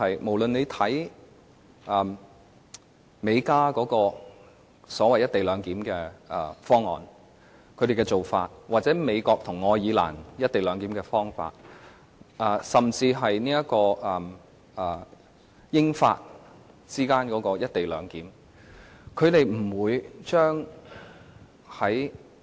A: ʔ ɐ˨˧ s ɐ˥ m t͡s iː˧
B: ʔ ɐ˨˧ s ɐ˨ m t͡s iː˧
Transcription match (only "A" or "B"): B